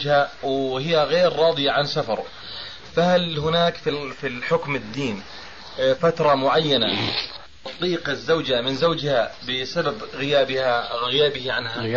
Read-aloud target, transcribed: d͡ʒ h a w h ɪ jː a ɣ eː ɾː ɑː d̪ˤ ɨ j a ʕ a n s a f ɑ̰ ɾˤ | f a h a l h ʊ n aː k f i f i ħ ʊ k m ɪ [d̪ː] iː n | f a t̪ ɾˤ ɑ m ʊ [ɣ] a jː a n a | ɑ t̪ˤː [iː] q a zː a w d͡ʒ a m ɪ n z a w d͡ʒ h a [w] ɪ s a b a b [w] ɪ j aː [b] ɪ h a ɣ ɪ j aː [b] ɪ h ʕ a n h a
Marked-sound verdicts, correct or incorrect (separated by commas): correct, incorrect, correct, incorrect, incorrect, correct, correct